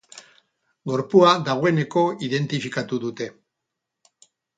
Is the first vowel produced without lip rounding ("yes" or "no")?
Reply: no